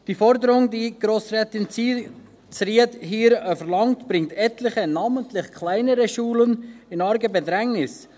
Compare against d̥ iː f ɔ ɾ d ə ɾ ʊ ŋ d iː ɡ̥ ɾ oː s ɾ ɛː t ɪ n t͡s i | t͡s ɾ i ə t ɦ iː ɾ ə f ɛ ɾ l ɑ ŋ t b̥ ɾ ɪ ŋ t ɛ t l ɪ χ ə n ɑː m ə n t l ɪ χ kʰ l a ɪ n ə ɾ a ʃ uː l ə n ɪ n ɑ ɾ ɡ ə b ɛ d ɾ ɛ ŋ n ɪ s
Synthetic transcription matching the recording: d̥ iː f ɔ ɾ d ə ɾ ʊ ŋ d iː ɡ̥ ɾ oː s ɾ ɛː t ɪ n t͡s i | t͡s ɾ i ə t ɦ iː ɾ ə f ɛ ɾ l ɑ ŋ t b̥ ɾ ɪ ŋ t ɛ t l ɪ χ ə n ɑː m ə n t l ɪ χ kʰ l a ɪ n ə ɾ ə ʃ uː l ə n ɪ n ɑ ɾ ɡ ə b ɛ d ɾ ɛ ŋ n ɪ s